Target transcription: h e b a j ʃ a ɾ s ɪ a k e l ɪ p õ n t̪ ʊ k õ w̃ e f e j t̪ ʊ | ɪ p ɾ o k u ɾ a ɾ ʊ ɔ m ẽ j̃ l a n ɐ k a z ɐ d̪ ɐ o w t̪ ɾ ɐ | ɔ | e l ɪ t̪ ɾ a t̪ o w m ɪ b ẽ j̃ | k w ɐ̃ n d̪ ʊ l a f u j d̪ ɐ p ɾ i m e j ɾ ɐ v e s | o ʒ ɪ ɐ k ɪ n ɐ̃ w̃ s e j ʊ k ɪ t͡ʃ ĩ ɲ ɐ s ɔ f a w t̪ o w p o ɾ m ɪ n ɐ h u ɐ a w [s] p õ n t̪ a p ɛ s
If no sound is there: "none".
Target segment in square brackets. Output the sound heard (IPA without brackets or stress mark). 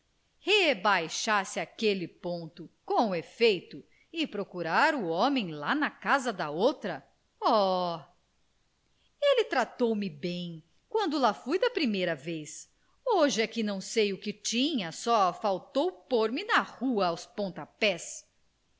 s